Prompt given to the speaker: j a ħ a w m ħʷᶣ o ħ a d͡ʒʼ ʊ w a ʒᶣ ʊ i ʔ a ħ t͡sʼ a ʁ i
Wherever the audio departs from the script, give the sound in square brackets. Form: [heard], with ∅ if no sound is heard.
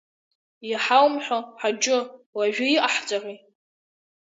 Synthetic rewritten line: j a ħ a w m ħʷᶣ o ħ a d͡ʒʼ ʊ w a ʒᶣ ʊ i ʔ a ħ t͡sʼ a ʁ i